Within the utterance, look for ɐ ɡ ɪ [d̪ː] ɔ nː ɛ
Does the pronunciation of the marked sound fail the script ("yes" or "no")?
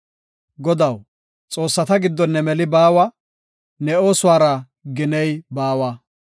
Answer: no